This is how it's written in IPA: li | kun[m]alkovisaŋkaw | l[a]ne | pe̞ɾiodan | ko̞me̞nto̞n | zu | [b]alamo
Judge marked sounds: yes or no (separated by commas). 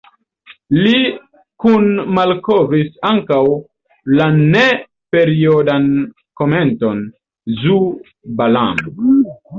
yes, yes, yes